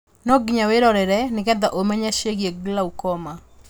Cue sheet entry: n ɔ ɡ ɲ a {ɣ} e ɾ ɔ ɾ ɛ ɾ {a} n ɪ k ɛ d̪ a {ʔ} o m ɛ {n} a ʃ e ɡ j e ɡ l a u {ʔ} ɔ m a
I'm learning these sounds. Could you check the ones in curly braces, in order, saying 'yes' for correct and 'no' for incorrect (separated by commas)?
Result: no, no, yes, no, no